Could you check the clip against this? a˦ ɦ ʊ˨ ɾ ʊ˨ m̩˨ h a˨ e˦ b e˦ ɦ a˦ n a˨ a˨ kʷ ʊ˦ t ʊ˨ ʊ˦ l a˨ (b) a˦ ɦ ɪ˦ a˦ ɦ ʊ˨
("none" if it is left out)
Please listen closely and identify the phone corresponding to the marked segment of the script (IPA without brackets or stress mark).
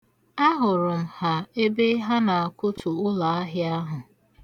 none